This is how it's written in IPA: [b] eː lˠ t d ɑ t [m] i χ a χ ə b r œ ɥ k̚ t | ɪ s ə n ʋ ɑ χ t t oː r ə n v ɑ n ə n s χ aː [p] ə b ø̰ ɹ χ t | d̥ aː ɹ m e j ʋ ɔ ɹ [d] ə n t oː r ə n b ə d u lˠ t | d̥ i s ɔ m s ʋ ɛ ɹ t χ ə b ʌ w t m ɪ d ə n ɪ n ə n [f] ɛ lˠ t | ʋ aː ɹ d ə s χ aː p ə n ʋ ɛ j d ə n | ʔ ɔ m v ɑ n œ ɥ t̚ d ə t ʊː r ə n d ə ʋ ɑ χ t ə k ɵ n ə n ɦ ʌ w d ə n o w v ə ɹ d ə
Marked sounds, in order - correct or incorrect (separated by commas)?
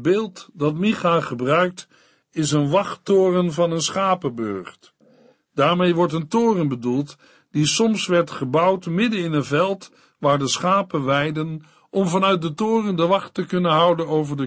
correct, correct, correct, incorrect, incorrect